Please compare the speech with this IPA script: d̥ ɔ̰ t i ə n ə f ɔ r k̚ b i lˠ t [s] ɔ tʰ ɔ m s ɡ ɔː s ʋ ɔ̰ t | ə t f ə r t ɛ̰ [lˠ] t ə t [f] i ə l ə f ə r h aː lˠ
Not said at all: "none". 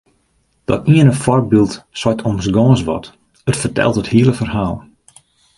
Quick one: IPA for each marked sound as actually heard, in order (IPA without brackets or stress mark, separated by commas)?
s, lˠ, h